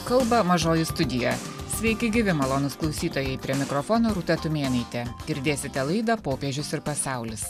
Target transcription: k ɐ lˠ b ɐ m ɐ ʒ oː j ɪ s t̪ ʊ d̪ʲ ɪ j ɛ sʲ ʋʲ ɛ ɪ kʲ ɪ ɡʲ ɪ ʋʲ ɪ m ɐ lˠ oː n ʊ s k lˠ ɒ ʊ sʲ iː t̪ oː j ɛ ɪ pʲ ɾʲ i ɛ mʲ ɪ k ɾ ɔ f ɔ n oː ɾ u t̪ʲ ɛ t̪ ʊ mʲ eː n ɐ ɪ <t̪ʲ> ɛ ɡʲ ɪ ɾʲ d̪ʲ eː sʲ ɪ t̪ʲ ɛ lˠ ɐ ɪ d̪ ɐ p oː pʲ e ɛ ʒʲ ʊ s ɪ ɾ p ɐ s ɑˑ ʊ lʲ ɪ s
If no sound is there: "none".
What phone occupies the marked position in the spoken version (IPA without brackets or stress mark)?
t̪ʲ